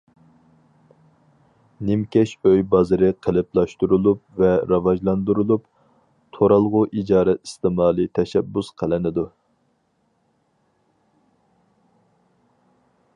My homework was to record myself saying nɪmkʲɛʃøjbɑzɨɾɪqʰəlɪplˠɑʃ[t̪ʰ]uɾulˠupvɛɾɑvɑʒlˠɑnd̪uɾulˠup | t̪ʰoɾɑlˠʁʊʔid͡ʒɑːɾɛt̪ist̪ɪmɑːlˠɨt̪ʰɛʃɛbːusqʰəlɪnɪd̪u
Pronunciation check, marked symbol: incorrect: t̪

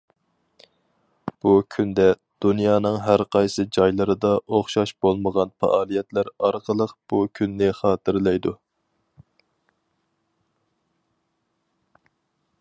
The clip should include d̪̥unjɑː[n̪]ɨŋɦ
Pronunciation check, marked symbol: correct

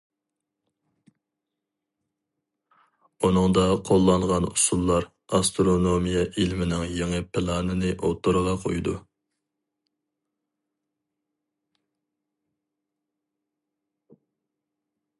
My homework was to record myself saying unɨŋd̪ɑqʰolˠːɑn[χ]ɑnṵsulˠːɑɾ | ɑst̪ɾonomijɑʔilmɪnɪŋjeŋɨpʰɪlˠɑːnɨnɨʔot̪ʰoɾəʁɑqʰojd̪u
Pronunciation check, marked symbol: incorrect: ʁ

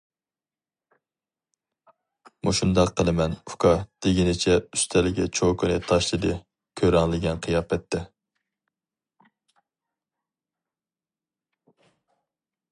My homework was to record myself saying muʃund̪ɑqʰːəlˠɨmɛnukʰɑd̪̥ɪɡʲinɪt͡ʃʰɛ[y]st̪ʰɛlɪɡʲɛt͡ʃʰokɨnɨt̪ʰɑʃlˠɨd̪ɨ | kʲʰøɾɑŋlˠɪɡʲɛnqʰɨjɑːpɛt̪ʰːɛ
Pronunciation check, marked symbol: correct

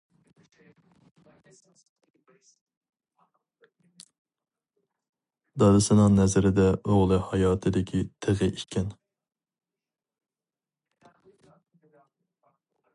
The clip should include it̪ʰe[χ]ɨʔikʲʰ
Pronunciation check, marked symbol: incorrect: ʁ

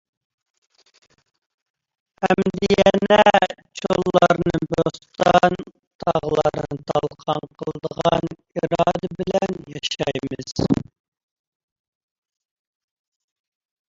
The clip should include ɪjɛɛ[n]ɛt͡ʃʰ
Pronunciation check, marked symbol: correct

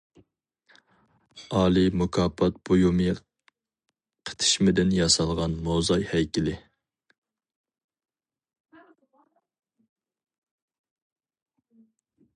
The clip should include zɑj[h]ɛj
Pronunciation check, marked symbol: correct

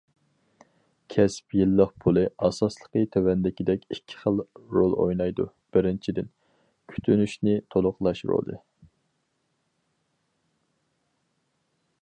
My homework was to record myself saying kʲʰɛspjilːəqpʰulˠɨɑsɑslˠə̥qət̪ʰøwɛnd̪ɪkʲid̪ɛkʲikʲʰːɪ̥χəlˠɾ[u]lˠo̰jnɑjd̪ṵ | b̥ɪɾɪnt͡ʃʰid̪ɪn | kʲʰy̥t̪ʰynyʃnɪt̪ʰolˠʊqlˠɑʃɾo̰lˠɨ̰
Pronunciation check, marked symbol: incorrect: o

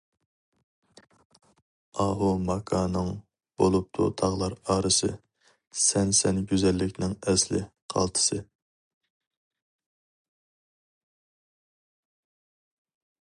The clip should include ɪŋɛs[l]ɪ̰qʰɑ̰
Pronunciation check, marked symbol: correct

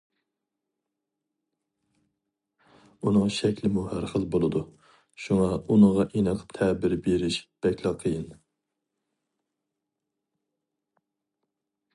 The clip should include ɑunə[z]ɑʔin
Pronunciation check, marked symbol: incorrect: ʁ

